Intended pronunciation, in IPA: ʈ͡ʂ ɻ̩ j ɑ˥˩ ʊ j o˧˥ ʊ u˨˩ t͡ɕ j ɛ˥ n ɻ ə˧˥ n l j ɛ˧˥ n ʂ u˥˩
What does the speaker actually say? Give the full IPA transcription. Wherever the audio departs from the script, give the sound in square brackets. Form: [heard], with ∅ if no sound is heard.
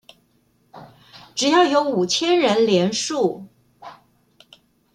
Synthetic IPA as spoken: ʈ͡ʂ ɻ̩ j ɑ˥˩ ʊ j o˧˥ ʊ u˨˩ [t͡ɕʰ] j ɛ˥ n ɻ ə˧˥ n l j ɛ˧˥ n ʂ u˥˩